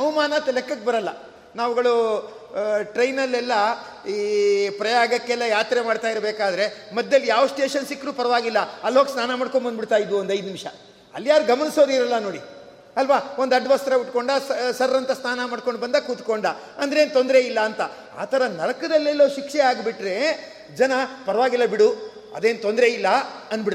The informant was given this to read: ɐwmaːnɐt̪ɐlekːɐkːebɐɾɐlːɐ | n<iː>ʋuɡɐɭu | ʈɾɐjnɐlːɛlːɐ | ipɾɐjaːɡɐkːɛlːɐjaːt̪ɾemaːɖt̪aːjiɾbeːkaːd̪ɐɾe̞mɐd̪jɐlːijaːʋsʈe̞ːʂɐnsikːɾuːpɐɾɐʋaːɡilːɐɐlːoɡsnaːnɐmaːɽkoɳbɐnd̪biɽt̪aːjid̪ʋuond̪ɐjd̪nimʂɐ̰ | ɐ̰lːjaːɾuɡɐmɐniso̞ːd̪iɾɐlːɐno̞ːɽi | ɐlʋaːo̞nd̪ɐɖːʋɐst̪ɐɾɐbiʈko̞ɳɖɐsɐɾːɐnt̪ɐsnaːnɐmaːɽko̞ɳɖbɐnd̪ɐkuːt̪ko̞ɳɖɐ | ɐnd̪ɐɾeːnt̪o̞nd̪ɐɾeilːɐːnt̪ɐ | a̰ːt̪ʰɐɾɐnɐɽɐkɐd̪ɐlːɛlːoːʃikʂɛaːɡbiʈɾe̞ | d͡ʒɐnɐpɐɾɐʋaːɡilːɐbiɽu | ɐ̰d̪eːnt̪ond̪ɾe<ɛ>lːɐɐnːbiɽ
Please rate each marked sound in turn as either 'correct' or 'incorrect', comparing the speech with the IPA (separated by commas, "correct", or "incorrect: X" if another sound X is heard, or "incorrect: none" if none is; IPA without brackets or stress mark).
incorrect: aː, incorrect: i